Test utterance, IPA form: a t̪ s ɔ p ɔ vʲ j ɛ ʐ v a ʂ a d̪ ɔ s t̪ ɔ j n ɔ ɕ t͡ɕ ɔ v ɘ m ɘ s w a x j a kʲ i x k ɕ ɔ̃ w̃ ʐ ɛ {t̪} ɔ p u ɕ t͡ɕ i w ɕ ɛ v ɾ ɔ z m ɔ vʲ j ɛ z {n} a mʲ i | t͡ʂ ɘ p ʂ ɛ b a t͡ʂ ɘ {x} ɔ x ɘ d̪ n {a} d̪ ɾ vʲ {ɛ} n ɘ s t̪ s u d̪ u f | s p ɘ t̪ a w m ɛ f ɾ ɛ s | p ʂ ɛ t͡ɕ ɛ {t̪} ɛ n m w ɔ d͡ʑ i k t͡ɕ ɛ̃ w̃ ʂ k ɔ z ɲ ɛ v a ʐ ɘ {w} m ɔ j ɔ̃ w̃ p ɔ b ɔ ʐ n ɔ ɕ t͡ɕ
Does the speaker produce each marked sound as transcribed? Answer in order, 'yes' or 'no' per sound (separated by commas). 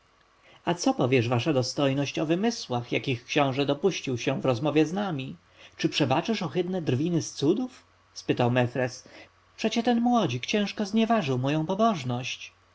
no, yes, no, no, no, yes, yes